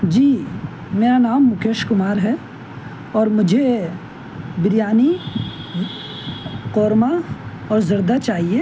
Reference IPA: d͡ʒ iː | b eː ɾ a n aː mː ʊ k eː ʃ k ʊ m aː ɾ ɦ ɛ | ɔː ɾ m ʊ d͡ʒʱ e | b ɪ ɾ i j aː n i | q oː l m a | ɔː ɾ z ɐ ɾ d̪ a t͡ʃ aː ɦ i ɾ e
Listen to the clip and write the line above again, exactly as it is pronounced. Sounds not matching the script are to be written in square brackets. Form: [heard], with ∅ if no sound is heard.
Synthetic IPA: d͡ʒ iː | [m] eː ɾ a n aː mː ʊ k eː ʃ k ʊ m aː ɾ ɦ ɛ | ɔː ɾ m ʊ d͡ʒʱ e | b ɪ ɾ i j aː n i | q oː [ɾ] m a | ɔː ɾ z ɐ ɾ d̪ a t͡ʃ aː ɦ i [∅] e

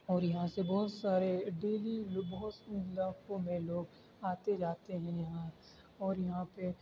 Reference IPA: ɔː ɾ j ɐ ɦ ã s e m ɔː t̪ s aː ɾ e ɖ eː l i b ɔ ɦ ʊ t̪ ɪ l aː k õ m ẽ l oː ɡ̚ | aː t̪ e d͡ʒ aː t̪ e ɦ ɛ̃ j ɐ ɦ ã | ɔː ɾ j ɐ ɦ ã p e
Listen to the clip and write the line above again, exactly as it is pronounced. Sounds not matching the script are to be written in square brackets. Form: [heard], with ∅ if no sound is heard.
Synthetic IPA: ɔː ɾ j ɐ ɦ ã s e [b] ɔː t̪ s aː ɾ e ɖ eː l i b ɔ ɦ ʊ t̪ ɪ l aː k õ m ẽ l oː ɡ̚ | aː t̪ e d͡ʒ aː t̪ e ɦ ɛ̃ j ɐ ɦ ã | ɔː ɾ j ɐ ɦ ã p e

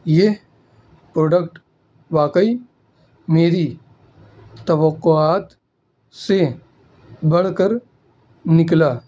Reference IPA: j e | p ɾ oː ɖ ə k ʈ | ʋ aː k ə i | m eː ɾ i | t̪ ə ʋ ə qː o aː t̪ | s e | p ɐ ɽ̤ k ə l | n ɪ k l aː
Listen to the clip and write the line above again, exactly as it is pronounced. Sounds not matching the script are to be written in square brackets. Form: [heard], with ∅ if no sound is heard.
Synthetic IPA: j e | p ɾ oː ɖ ə k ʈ | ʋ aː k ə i | m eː ɾ i | t̪ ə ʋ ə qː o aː t̪ | s e | [b] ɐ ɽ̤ k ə [ɾ] | n ɪ k l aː

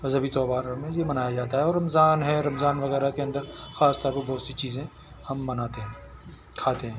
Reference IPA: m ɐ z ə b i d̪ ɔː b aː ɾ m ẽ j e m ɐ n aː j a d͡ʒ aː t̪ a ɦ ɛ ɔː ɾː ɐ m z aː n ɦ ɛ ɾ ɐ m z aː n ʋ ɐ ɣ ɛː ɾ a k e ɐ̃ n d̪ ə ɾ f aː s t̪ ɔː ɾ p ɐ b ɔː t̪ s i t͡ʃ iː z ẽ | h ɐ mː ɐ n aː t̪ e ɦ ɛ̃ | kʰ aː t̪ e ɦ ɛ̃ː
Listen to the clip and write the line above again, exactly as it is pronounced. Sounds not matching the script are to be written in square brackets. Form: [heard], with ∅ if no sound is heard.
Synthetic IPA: m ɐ z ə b i [t̪] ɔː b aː ɾ m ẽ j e m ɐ n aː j a d͡ʒ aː t̪ a ɦ ɛ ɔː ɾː ɐ m z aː n ɦ ɛ ɾ ɐ m z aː n ʋ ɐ ɣ ɛː ɾ a k e ɐ̃ n d̪ ə ɾ [x] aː s t̪ ɔː ɾ p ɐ b ɔː t̪ s i t͡ʃ iː z ẽ | h ɐ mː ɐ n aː t̪ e ɦ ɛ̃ | kʰ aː t̪ e ɦ ɛ̃ː

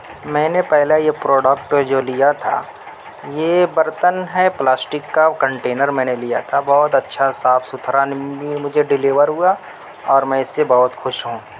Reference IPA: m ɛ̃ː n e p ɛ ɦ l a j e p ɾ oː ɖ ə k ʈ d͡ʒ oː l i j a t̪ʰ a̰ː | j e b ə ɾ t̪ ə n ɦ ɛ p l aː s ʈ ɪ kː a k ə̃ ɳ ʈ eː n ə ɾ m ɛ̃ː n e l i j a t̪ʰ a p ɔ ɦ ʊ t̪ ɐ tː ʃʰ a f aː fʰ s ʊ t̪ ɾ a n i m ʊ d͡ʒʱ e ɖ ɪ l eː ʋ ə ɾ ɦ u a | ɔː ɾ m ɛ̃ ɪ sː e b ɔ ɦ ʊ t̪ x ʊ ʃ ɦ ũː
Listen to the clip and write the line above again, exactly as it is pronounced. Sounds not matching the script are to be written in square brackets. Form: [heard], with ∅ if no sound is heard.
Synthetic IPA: m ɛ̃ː n e p ɛ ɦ l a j e p ɾ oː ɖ ə k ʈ d͡ʒ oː l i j a t̪ʰ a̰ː | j e b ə ɾ t̪ ə n ɦ ɛ p l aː s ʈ ɪ kː a k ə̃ ɳ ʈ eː n ə ɾ m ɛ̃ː n e l i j a t̪ʰ a [b] ɔ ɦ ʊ t̪ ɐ tː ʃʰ a [s] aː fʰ s ʊ [t̪ʰ] ɾ a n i m ʊ d͡ʒʱ e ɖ ɪ l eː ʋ ə ɾ ɦ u a | ɔː ɾ m ɛ̃ ɪ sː e b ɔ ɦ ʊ t̪ x ʊ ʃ ɦ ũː

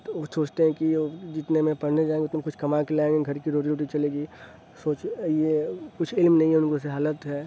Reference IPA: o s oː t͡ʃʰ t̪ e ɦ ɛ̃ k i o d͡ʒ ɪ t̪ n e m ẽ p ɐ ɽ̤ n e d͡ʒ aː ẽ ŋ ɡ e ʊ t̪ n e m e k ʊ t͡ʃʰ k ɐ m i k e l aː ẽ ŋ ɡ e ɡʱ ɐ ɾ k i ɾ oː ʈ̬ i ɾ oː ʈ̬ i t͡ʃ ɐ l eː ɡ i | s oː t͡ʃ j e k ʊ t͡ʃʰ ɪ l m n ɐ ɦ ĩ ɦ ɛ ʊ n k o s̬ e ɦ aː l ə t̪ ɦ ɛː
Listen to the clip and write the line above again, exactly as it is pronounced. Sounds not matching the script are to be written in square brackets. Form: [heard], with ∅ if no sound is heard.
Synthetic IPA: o s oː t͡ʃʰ t̪ e ɦ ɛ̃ k i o d͡ʒ ɪ t̪ n e m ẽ p ɐ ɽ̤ n e d͡ʒ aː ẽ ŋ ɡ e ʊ t̪ n e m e k ʊ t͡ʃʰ k ɐ m [a] k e l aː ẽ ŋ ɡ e ɡʱ ɐ ɾ k i ɾ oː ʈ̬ i ɾ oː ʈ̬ i t͡ʃ ɐ l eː ɡ i | s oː t͡ʃ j e k ʊ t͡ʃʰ ɪ l m n ɐ ɦ ĩ ɦ ɛ ʊ n k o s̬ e ɦ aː l ə t̪ ɦ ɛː

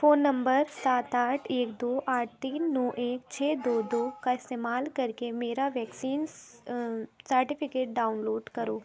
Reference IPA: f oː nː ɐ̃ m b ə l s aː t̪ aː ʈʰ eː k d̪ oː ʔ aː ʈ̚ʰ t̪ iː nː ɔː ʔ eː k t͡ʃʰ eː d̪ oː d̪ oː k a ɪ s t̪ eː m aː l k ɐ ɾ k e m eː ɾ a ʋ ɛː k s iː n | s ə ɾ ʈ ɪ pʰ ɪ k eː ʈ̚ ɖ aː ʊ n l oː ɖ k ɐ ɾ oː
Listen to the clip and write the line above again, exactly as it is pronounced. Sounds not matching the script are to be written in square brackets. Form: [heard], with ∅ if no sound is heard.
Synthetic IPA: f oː nː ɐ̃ m b ə [ɾ] s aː t̪ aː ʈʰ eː k d̪ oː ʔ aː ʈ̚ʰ t̪ iː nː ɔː ʔ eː k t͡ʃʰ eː d̪ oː d̪ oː k a ɪ s t̪ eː m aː l k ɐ ɾ k e m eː ɾ a ʋ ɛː k s iː n | s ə ɾ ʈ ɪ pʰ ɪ k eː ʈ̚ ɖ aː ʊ n l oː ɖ k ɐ ɾ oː

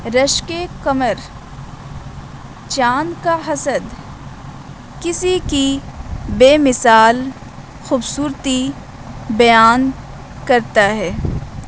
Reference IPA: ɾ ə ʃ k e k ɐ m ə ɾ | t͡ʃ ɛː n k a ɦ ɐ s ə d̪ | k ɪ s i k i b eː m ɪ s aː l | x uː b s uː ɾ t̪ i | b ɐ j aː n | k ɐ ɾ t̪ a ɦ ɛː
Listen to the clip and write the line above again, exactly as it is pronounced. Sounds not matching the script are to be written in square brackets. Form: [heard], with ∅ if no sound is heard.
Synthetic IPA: ɾ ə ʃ k e k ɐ m ə ɾ | t͡ʃ [aː] n k a ɦ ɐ s ə d̪ | k ɪ s i k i b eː m ɪ s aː l | x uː b s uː ɾ t̪ i | b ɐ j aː n | k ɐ ɾ t̪ a ɦ ɛː

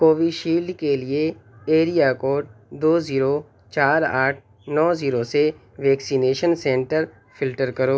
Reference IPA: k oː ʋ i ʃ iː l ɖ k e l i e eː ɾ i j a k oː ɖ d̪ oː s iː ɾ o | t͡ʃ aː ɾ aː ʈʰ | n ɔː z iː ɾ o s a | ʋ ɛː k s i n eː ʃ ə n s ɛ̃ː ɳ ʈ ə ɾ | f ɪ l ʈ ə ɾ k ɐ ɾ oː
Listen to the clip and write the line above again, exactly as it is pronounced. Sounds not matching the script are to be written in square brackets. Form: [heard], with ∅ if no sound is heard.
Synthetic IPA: k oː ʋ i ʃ iː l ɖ k e l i e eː ɾ i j a k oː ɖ d̪ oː [z] iː ɾ o | t͡ʃ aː ɾ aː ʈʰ | n ɔː z iː ɾ o s [e] | ʋ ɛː k s i n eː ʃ ə n s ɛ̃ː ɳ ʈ ə ɾ | f ɪ l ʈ ə ɾ k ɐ ɾ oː

